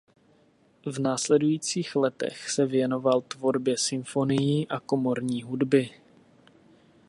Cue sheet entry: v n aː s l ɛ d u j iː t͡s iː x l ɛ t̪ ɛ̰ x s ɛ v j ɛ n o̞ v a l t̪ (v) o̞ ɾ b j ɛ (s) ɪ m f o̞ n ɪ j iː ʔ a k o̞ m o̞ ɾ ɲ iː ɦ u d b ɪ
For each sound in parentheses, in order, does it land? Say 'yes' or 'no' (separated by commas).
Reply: yes, yes